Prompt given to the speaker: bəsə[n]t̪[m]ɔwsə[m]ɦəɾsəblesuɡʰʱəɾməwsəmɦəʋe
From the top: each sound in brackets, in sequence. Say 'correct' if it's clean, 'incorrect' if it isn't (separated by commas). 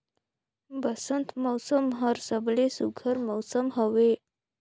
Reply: correct, correct, correct